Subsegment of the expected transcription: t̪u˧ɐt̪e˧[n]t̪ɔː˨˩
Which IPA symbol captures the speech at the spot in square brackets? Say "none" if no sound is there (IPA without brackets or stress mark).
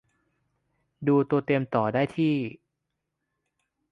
m